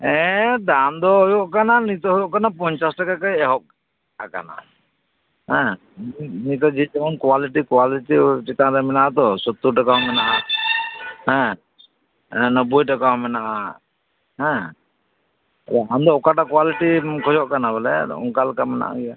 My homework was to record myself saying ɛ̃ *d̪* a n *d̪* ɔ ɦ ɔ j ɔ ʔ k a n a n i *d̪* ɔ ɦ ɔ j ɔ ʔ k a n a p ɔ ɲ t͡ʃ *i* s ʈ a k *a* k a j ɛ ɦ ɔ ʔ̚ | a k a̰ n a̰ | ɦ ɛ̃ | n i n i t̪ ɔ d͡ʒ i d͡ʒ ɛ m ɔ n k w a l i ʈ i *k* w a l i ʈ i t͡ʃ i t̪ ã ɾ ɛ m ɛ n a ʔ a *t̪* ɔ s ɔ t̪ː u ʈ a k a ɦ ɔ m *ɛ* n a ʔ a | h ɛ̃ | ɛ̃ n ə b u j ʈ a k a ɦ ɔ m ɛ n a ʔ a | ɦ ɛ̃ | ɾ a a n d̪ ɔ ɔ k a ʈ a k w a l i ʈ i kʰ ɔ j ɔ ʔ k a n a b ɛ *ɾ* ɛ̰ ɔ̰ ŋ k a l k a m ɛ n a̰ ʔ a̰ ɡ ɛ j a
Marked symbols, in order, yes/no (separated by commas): yes, yes, no, no, yes, yes, yes, yes, no